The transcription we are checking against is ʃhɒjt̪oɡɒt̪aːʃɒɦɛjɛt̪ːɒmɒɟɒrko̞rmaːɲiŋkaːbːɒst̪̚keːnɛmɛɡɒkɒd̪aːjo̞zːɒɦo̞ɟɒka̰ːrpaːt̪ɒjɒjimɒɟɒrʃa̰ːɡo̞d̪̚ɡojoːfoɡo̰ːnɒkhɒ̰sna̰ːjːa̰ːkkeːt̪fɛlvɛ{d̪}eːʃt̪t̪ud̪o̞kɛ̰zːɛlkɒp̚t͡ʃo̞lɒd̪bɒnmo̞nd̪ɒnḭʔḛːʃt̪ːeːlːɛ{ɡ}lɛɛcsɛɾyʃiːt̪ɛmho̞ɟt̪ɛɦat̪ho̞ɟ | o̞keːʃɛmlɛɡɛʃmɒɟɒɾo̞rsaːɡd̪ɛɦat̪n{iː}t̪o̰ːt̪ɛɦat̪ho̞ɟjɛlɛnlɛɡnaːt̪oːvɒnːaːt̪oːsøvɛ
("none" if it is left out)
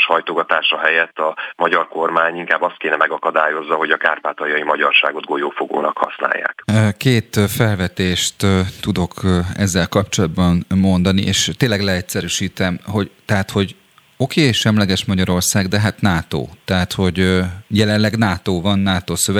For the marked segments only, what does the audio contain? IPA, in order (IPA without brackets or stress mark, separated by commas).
t̪, ɡ, aː